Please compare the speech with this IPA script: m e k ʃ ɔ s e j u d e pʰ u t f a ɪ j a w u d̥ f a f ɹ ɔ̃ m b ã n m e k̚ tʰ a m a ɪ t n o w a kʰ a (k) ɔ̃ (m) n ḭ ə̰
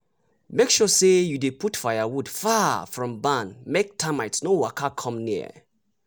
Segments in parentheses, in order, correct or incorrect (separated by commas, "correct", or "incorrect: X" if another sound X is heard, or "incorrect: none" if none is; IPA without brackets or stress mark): incorrect: kʰ, correct